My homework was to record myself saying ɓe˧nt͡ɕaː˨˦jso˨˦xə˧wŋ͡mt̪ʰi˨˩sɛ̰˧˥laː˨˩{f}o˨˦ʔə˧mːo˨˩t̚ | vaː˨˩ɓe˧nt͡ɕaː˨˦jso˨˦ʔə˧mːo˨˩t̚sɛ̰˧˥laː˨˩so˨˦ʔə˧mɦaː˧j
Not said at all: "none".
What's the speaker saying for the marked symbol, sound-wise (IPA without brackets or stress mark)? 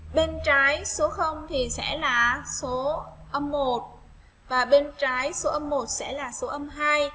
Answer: s